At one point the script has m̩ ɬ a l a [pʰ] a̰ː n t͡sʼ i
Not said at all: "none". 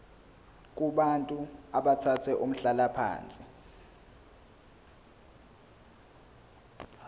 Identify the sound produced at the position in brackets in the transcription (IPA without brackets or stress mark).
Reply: pʰ